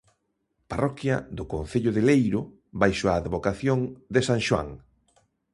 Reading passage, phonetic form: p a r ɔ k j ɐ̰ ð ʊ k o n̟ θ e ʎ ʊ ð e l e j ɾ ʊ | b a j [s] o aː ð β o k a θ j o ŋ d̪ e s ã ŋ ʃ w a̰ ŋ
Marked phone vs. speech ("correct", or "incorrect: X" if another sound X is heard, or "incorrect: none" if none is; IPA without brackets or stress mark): incorrect: ʃ